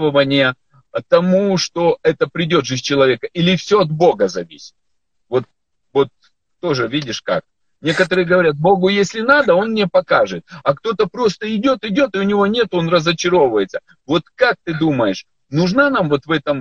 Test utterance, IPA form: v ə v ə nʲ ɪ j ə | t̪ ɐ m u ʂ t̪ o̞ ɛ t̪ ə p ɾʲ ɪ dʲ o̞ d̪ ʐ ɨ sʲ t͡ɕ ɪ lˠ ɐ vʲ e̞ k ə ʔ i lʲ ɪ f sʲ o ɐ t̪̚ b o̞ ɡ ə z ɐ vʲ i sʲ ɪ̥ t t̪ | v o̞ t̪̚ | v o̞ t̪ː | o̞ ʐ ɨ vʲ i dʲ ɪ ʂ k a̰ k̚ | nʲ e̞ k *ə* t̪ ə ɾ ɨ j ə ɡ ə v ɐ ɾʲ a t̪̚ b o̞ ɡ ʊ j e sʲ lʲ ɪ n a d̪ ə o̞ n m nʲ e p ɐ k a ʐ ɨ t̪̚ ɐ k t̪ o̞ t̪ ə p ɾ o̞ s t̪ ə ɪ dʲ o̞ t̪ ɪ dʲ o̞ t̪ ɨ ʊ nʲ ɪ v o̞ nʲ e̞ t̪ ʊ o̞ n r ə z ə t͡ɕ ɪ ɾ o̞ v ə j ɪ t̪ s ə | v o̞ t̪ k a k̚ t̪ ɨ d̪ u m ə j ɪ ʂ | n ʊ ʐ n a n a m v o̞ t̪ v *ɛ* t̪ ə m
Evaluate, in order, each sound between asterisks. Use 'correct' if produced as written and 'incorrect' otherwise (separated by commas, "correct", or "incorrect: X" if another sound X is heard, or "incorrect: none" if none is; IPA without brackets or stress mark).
correct, correct